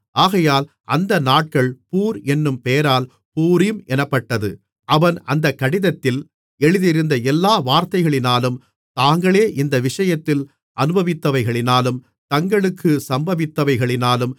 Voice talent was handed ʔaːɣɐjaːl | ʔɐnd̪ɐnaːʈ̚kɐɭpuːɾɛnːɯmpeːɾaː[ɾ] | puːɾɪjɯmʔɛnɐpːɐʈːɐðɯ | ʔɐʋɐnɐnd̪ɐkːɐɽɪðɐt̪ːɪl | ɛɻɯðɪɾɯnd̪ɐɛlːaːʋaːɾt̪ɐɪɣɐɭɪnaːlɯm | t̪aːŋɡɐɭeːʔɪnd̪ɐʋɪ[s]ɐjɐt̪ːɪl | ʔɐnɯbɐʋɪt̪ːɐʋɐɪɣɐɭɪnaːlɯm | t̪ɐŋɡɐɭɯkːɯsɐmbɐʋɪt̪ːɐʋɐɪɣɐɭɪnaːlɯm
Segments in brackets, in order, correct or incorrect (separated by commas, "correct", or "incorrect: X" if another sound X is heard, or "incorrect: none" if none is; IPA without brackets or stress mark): incorrect: l, incorrect: ʂ